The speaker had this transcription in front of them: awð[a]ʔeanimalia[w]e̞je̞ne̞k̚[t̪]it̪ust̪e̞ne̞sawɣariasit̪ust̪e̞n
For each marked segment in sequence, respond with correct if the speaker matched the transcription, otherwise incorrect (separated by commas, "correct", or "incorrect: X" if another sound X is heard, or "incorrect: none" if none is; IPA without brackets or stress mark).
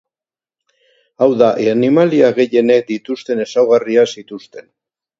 correct, incorrect: ɣ, incorrect: d̪